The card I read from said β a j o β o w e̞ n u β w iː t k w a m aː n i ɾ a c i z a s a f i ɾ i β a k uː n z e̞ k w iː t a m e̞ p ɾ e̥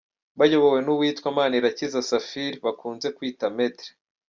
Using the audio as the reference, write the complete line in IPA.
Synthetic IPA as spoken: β a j o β o w e̞ n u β w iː t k w a m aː n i ɾ a c i z a s a f i ɾ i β a k uː n z e̞ k w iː t a m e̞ t ɾ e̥